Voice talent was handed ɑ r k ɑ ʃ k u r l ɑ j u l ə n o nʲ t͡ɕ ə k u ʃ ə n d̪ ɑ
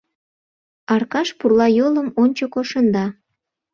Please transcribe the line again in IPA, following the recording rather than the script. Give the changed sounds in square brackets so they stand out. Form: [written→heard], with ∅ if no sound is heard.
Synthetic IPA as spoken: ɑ r k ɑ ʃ [k→p] u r l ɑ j [u→o] l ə [n→m] o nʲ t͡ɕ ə k [u→o] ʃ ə n d̪ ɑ

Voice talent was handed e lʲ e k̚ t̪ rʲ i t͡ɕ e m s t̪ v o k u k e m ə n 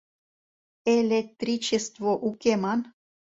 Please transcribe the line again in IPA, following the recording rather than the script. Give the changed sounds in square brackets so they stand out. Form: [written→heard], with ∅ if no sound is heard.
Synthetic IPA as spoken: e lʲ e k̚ t̪ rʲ i t͡ɕ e [m→∅] s t̪ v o [k→ʔ] u k e m [ə→ɑ] n

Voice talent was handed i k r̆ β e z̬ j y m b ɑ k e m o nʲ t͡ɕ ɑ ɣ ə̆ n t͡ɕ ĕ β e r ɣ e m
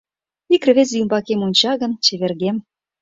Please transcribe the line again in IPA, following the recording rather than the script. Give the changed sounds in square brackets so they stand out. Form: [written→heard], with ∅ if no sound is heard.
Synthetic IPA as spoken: i k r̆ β e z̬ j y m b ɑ k e m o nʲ t͡ɕ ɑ ɣ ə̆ n t͡ɕ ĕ β e r ɣ e m

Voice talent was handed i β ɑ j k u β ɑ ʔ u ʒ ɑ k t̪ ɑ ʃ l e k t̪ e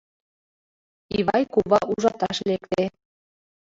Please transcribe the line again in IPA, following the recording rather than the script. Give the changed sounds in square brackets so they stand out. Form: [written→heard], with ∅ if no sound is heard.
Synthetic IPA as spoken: i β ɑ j k u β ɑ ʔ u ʒ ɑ [k→∅] t̪ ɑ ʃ l e k t̪ e

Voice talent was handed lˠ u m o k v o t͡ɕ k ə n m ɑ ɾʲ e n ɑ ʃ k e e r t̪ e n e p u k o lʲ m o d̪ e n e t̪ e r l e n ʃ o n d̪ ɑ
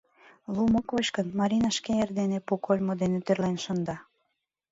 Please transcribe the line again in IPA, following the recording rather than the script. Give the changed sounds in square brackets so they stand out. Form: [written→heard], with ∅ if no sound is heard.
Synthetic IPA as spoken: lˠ u m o k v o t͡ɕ k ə n m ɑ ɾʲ [e→i] n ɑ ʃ k e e r [t̪→d̪] e n e p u k o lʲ m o d̪ e n e t̪ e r l e n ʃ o n d̪ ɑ

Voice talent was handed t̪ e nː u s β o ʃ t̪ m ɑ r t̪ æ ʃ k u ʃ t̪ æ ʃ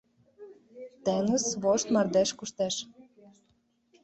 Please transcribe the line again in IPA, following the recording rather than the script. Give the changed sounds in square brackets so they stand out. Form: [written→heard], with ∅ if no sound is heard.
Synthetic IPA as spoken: t̪ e [nː→n] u s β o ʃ t̪ m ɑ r [t̪→d̪] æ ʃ k u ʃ t̪ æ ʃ

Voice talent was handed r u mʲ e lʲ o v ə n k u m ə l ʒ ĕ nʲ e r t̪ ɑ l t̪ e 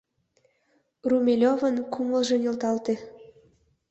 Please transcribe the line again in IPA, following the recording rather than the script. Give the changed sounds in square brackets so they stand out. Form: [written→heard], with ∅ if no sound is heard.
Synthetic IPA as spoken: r u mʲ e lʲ o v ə n k u m ə l ʒ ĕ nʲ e [r→l] t̪ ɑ l t̪ e

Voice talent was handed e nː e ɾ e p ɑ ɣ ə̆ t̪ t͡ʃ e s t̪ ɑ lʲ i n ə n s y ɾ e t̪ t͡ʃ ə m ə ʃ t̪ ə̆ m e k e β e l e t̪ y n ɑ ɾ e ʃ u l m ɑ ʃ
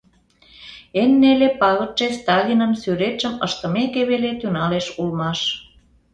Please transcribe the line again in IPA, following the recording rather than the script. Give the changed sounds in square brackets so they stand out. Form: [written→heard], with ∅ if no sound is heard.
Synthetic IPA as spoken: e nː e [ɾ→l] e p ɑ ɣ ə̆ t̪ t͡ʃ e s t̪ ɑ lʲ i n ə n s y ɾ e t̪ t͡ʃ ə m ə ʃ t̪ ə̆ m e k e β e l e t̪ y n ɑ [ɾ→l] e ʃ u l m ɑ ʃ

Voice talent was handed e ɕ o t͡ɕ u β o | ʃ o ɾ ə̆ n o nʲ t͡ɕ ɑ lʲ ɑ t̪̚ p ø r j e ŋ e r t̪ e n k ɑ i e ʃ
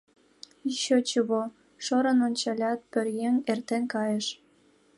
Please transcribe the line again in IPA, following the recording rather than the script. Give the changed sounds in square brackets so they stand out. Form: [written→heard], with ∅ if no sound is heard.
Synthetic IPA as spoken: [e→i] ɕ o t͡ɕ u β o | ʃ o ɾ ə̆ n o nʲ t͡ɕ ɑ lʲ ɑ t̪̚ p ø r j e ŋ e r t̪ e n k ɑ [i→j] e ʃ

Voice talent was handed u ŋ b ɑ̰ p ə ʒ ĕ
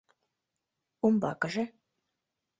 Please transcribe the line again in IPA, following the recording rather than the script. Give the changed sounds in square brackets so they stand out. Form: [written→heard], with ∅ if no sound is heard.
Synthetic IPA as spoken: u [ŋ→m] b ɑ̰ [p→k] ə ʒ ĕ

